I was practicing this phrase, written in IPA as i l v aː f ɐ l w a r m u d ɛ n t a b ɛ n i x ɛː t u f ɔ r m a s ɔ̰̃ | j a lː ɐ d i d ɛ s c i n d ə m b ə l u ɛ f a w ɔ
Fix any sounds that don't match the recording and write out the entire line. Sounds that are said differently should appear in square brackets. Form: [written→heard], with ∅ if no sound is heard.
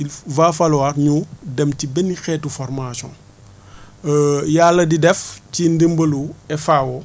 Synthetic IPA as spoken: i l v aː f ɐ l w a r [m→ɲ] u d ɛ [n→m] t [a→i] b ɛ n i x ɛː t u f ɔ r m a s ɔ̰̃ | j a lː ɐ d i d ɛ [s→f] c i n d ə m b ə l u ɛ f a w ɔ